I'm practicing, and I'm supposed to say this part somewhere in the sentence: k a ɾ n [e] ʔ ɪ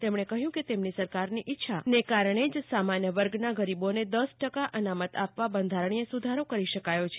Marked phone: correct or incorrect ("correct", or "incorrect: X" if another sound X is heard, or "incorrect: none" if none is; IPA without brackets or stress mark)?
incorrect: i